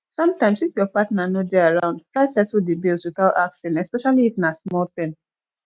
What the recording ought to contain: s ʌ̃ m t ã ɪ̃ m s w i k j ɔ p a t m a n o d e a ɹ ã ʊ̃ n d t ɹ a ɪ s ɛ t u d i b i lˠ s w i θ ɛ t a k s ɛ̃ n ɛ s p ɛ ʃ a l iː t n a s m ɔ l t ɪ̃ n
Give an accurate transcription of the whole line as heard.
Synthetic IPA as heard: s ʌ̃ m t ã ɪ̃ m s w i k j ɔ p a t n a n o d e a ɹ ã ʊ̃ n d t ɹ a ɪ s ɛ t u d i b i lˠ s w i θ a t a k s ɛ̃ n ɛ s p ɛ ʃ a l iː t n a s m ɔ l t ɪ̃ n